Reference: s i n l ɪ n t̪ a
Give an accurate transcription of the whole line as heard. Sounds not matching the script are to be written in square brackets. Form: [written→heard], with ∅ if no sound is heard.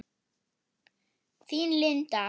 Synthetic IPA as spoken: [s→θ] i n l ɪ n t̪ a